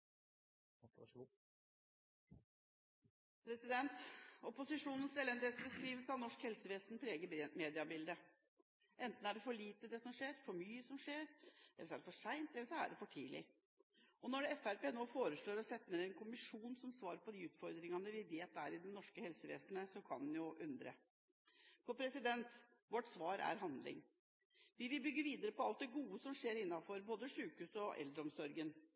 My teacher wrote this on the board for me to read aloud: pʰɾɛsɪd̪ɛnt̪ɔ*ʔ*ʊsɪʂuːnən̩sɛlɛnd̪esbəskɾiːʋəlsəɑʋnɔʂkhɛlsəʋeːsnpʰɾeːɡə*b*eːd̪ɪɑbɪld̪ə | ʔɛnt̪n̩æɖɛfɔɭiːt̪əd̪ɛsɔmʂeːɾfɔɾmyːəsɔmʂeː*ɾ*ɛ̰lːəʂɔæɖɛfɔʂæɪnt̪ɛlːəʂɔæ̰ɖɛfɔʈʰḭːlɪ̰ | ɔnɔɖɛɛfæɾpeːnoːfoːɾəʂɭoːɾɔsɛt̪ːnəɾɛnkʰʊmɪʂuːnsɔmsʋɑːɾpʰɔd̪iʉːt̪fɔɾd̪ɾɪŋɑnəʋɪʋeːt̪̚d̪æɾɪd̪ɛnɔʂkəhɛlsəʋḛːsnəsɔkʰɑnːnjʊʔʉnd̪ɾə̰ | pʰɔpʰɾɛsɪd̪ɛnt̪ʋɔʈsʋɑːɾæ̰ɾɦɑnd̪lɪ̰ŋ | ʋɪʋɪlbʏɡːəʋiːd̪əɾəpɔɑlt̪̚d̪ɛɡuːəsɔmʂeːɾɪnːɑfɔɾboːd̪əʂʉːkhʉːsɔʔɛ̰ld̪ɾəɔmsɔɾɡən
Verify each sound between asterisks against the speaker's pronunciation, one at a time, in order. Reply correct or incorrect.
incorrect: p, incorrect: m, correct

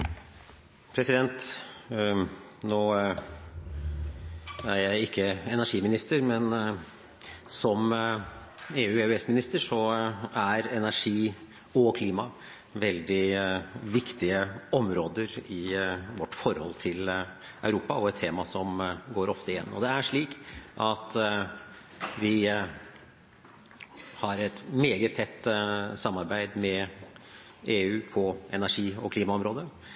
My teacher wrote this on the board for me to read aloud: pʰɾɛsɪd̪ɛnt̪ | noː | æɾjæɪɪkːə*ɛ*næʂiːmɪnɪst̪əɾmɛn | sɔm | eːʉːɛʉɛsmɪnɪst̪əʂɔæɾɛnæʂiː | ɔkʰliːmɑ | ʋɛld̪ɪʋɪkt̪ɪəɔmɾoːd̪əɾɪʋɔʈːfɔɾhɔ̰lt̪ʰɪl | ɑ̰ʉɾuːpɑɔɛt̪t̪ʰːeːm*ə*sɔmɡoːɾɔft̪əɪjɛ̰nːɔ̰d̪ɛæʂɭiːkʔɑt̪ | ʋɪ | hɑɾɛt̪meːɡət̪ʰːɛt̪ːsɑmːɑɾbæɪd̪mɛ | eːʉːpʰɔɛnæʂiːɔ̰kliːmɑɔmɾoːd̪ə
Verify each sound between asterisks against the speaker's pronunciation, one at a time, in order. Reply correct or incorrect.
correct, incorrect: ɑ

